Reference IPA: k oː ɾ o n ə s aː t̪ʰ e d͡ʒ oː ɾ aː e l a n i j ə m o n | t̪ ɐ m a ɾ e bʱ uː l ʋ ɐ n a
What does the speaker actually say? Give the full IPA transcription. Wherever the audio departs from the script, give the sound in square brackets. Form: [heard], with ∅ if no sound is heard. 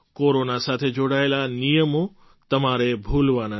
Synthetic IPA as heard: k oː ɾ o n [a] s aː t̪ʰ e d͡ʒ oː [ɽ] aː e l a n i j ə m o [∅] | t̪ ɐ m a ɾ e bʱ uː l ʋ [a] n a